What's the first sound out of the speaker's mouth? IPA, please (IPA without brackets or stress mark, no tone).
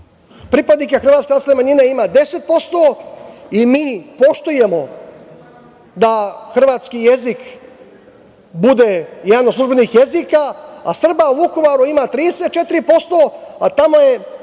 p